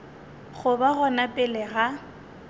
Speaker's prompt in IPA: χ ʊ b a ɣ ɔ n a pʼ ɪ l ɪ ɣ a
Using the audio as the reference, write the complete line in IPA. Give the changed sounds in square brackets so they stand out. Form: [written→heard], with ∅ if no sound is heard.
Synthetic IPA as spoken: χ ʊ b a ɣ ɔ n a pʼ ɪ l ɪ ɣ a